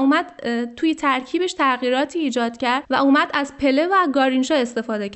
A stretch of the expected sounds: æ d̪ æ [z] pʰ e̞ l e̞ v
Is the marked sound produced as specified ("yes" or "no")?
yes